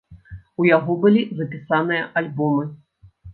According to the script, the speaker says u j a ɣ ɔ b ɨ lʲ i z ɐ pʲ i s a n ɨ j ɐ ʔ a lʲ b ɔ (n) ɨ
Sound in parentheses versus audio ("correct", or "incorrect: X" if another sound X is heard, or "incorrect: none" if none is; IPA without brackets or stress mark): incorrect: m